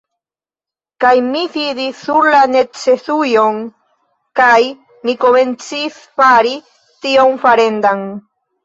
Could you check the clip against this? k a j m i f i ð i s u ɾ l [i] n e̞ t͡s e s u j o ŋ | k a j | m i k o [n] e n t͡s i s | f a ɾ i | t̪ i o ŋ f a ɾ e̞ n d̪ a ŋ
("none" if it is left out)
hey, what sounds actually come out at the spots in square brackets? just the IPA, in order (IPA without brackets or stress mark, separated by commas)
a, m